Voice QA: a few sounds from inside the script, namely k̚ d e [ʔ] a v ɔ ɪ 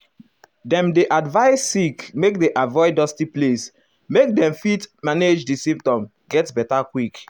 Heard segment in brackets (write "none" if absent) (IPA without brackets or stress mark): ʔ